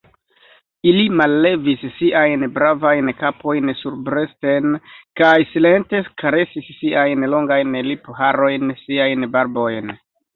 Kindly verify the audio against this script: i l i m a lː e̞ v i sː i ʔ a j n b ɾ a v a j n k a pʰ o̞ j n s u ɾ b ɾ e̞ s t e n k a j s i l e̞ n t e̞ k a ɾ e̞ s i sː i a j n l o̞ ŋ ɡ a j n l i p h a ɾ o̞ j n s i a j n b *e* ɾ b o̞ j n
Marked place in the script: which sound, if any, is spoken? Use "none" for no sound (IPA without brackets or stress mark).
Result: a